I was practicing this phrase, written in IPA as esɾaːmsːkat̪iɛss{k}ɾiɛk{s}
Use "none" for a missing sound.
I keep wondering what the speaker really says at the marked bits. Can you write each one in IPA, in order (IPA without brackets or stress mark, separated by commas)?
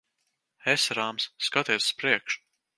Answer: p, ʃ